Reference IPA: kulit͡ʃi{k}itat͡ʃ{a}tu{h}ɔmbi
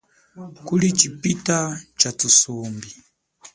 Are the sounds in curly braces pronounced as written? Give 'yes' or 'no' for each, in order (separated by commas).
no, yes, no